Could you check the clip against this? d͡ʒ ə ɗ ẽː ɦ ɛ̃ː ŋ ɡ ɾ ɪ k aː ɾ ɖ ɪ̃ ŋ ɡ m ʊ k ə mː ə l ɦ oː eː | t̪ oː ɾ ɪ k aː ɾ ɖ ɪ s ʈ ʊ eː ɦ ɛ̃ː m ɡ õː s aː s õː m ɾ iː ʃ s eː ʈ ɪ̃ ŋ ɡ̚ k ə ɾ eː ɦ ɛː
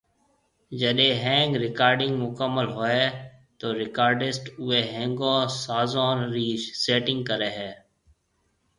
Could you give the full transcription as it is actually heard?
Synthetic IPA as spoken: d͡ʒ ə ɗ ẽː ɦ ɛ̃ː ŋ ɡ ɾ ɪ k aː ɾ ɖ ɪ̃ ŋ ɡ m ʊ k ə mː ə l ɦ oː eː | t̪ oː ɾ ɪ k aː ɾ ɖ ɪ s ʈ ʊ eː ɦ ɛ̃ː ŋ ɡ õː s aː z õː n ɾ iː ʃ s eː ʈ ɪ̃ ŋ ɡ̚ k ə ɾ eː ɦ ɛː

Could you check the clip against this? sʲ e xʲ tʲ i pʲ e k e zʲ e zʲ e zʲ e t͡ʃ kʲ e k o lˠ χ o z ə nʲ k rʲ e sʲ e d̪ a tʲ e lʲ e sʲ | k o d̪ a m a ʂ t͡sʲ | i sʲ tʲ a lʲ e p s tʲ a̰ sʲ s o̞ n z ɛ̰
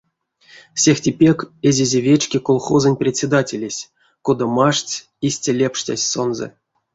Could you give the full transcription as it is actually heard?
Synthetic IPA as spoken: sʲ e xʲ tʲ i pʲ e k e zʲ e zʲ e vʲ e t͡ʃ kʲ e k o lˠ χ o z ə nʲ p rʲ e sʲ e d̪ a tʲ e lʲ e sʲ | k o d̪ a m a ʂ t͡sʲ | i sʲ tʲ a lʲ e p ʂ tʲ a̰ sʲ s o̞ n z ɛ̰

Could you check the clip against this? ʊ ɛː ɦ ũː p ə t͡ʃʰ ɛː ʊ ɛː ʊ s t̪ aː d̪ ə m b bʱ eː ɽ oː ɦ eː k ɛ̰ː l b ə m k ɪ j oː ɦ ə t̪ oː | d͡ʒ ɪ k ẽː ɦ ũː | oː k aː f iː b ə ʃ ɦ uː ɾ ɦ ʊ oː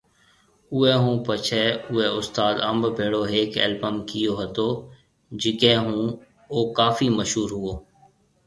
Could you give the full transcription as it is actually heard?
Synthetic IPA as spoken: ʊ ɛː ɦ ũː p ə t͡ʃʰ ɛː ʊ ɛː ʊ s t̪ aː d̪ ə m b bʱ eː ɽ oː ɦ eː k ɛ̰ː l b ə m k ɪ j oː ɦ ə t̪ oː | d͡ʒ ɪ k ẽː ɦ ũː | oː k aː f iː m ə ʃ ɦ uː ɾ ɦ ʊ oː

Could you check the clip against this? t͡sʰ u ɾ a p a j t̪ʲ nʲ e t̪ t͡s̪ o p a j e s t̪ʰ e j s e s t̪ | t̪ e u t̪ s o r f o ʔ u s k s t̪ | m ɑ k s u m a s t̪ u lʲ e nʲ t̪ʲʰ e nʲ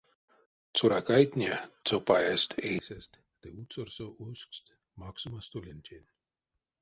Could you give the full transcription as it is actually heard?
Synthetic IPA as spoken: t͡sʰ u ɾ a k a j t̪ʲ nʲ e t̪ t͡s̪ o p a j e s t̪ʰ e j s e s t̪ | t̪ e u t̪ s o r s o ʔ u s k s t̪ | m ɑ k s u m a s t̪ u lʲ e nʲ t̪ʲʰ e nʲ

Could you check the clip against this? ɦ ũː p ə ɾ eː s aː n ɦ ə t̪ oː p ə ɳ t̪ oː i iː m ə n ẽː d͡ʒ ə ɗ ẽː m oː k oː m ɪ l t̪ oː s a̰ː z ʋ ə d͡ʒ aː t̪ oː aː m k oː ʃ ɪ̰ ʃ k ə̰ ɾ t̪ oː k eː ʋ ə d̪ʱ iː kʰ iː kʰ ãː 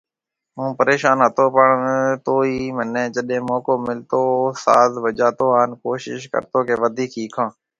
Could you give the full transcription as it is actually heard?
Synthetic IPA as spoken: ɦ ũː p ə ɾ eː ʃ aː n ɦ ə t̪ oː p ə ɳ t̪ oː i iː m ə n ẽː d͡ʒ ə ɗ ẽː m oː k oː m ɪ l t̪ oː s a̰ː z ʋ ə d͡ʒ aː t̪ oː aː n k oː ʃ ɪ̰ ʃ k ə̰ ɾ t̪ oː k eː ʋ ə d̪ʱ iː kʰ iː kʰ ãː

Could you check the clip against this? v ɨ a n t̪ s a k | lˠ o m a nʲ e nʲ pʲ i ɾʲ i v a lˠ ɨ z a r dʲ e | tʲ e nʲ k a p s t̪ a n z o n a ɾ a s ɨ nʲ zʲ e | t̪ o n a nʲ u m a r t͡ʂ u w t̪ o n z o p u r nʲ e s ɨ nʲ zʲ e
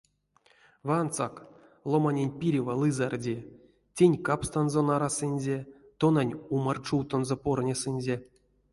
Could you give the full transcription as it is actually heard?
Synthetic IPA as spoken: v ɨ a n t̪ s a k | lˠ o m a nʲ e nʲ pʲ i ɾʲ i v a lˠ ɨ z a r dʲ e | tʲ e nʲ k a p s t̪ a n z o n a ɾ a s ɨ nʲ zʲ e | t̪ o n a nʲ u m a r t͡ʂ u w t̪ o n z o p o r nʲ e s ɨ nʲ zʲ e

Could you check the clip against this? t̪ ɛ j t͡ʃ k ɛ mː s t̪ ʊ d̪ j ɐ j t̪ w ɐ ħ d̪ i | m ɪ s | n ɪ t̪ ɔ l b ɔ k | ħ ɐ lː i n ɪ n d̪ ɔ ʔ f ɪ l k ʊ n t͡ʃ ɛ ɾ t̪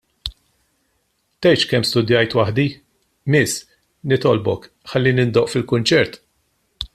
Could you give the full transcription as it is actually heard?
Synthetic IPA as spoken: t̪ ɛ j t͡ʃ k ɛ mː s t̪ ʊ d̪ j ɐ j t̪ w ɐ ħ d̪ i | m ɪ s | n ɪ t̪ ɔ l b ɔ k | ħ ɐ lː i n ɪ n d̪ ɔ ʔ f ɪ l k ʊ n t͡ʃ ɛ ɾ t̪

